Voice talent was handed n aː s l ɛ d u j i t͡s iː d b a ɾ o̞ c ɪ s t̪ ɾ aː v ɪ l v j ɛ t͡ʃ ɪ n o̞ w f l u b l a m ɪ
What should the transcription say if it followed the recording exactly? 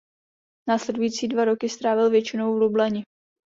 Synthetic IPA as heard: n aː s l ɛ d u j i t͡s iː d v a ɾ o̞ k ɪ s t̪ ɾ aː v ɪ l v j ɛ t͡ʃ ɪ n o̞ w v l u b l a ɲ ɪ